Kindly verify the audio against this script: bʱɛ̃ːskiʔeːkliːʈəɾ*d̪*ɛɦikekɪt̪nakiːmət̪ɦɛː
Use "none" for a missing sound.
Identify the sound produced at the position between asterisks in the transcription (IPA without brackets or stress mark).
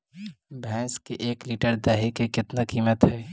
d̪